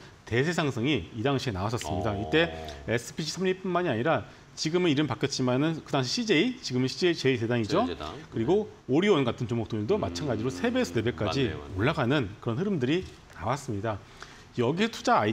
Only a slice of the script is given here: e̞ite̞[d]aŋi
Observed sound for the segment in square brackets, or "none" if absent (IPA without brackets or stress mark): d